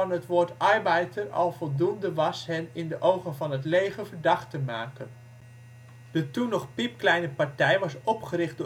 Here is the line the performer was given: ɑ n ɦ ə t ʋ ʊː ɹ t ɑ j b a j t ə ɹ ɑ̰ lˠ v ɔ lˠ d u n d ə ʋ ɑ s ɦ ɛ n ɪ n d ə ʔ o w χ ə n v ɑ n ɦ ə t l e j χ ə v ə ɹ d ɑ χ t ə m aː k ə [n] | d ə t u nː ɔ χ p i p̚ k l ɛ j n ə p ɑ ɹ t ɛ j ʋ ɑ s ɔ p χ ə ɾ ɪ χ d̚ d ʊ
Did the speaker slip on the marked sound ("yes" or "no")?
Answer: no